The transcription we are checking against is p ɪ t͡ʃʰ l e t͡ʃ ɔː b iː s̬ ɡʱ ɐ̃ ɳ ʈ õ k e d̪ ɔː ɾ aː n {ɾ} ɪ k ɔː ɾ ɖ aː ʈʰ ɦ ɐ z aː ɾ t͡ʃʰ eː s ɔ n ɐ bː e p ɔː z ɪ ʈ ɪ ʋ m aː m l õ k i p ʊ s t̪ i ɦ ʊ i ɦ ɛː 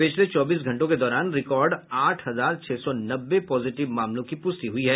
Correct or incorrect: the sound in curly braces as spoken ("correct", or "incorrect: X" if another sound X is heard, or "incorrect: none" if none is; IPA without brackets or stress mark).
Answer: correct